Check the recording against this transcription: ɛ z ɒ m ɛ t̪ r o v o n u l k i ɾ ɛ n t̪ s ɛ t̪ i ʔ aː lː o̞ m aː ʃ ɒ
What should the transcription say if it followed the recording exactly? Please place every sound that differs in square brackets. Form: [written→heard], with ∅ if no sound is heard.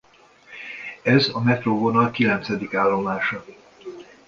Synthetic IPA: ɛ z ɒ m ɛ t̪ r o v o n [u→ɒ] l k i [ɾ→l] ɛ n t̪ s ɛ [t̪→d̪] i [ʔ→k] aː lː o̞ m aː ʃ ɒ